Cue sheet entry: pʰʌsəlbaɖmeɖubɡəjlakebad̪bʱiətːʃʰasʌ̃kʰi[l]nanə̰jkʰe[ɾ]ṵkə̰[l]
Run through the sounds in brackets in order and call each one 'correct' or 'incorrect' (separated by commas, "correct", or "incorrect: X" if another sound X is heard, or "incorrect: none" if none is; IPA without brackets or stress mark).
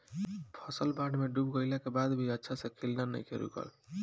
correct, correct, correct